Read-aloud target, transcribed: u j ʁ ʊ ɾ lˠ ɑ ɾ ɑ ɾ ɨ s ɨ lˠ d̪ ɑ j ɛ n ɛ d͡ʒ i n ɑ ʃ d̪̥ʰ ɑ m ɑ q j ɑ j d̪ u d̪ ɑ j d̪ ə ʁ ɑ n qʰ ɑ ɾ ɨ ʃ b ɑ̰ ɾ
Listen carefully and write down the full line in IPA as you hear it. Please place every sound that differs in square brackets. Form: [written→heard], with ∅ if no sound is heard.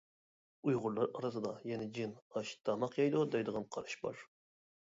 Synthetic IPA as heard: u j ʁ ʊ ɾ lˠ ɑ ɾ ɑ ɾ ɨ s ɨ [lˠ→∅] d̪ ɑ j ɛ n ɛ d͡ʒ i n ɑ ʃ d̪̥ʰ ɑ m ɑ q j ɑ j d̪ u d̪ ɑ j d̪ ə ʁ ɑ n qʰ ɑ ɾ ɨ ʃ b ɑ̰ ɾ

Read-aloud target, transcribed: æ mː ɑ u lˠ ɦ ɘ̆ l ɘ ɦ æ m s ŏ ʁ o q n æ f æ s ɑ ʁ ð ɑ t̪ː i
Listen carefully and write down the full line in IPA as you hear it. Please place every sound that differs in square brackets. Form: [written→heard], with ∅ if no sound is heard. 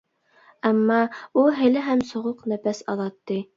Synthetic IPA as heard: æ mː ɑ u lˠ ɦ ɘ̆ l ɘ ɦ æ m s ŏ ʁ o q n æ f æ s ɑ [ʁ→∅] ð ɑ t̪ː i

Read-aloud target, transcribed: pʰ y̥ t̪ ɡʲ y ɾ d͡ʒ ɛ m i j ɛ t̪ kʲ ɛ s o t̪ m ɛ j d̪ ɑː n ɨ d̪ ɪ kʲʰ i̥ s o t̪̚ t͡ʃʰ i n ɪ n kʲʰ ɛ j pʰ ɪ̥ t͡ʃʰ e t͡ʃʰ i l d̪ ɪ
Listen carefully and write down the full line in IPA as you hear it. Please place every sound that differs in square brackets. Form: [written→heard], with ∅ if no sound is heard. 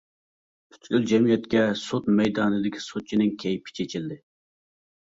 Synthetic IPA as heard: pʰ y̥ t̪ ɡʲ y [ɾ→l] d͡ʒ ɛ m i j ɛ t̪ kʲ ɛ s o t̪ m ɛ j d̪ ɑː n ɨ d̪ ɪ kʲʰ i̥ s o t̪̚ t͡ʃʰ i n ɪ [n→ŋ] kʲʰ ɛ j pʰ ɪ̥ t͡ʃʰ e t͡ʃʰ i l d̪ ɪ

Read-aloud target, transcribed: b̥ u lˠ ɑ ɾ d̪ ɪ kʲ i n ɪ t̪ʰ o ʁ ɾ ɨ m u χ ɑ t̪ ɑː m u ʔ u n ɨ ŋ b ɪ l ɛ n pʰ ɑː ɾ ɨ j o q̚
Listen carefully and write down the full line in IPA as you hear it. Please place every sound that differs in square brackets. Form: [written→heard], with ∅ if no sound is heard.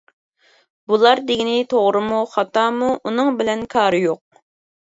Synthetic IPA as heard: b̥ u lˠ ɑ ɾ d̪ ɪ [kʲ→ɡʲ] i n ɪ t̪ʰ o ʁ ɾ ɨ m u χ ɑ t̪ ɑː m u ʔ u n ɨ ŋ b ɪ l ɛ n [pʰ→kʰ] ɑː ɾ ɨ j o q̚

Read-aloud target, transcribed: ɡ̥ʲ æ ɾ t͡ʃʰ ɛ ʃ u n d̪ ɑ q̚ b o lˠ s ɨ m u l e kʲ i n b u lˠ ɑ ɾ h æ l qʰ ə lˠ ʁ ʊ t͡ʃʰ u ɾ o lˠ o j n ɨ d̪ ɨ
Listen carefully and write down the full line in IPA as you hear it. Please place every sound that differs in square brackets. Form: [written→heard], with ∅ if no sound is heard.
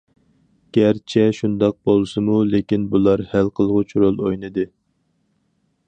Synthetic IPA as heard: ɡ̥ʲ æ ɾ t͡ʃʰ ɛ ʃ u n d̪ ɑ q̚ b o lˠ s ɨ m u l e kʲ i n b u lˠ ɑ ɾ h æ l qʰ ə lˠ ʁ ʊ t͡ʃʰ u ɾ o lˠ o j n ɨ d̪ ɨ

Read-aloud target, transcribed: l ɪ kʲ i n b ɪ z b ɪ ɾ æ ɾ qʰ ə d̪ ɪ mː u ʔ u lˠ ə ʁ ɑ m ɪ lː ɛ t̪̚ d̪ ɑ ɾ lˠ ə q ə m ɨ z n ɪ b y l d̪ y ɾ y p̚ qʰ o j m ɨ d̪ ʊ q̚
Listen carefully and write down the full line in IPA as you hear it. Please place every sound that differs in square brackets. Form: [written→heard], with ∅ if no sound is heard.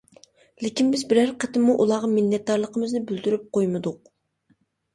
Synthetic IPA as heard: l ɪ kʲ i n b ɪ z b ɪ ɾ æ ɾ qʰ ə [d̪→t̪] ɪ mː u ʔ u lˠ [ə→ɑ] ʁ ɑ m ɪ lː ɛ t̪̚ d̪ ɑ ɾ lˠ ə q ə m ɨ z n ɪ b y l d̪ y ɾ y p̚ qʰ o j m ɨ d̪ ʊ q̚

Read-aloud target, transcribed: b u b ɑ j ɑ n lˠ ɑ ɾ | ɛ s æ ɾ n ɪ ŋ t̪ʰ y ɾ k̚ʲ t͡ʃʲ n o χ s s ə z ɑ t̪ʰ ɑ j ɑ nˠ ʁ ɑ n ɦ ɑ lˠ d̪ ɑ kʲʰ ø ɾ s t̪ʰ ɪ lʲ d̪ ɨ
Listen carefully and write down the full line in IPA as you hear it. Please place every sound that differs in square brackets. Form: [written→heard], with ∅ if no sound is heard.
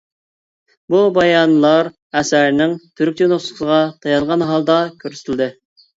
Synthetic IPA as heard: b u b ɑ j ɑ n lˠ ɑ ɾ | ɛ s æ ɾ n ɪ ŋ t̪ʰ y ɾ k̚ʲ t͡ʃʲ n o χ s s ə [z→ʁ] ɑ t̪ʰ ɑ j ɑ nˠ ʁ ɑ n ɦ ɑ lˠ d̪ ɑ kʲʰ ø ɾ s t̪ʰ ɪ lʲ d̪ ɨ

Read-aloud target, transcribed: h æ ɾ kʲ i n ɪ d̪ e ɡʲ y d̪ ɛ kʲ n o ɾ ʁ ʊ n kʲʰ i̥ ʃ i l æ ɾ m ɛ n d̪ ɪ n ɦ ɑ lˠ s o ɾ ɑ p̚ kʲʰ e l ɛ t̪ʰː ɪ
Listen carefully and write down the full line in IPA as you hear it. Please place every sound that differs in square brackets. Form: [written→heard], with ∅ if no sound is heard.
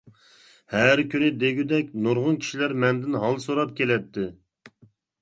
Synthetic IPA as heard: h æ ɾ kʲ [i→y] n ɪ d̪ e ɡʲ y d̪ ɛ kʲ n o ɾ ʁ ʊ n kʲʰ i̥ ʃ i l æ ɾ m ɛ n d̪ ɪ n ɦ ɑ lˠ s o ɾ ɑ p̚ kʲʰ e l ɛ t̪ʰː ɪ

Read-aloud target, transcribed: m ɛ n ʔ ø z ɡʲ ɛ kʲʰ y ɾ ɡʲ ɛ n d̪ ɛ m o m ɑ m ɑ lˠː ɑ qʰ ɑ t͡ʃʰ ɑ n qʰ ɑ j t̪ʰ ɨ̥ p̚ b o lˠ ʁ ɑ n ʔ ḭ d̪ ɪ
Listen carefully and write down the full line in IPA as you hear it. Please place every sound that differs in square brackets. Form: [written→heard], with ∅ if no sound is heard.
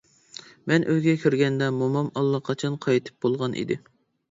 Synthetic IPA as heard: m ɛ n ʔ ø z ɡʲ ɛ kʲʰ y ɾ ɡʲ ɛ n d̪ ɛ m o m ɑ m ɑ lˠː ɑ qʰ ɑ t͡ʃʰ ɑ n qʰ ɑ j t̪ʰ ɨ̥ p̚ b o lˠ ʁ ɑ n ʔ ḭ d̪ ɪ

